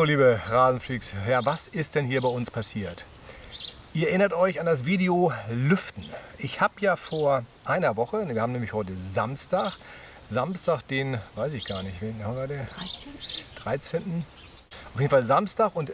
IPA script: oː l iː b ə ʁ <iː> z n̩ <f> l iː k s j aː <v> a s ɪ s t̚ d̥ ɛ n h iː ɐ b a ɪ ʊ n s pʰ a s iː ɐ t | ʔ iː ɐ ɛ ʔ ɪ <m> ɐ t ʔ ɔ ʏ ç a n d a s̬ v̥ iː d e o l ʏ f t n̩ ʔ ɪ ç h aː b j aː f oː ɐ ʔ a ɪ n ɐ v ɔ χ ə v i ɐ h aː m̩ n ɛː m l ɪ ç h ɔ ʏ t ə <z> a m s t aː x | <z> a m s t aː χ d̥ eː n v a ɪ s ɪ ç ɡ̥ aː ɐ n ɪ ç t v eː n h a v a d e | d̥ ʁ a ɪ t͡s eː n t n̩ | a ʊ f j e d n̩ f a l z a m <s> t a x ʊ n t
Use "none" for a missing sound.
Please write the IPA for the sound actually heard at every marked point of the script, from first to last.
aː, f, v, n, z, z, s

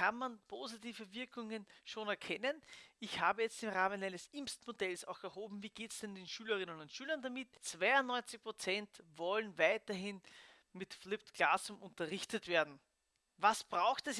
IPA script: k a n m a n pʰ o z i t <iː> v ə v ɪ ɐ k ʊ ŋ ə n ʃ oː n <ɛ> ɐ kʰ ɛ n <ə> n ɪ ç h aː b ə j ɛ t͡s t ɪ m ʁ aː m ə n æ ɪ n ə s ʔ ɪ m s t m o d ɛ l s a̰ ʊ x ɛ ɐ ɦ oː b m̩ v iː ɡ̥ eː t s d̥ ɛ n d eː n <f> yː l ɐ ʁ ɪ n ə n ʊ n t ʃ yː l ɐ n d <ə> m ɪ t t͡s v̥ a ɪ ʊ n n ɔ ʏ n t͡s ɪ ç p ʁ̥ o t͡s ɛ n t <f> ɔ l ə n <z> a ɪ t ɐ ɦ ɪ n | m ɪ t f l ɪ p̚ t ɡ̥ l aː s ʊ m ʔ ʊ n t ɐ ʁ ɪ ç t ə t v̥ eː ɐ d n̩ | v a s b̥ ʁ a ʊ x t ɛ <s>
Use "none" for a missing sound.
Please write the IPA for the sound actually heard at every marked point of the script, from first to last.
iː, ɛ, ə, ʃ, a, v, v, s

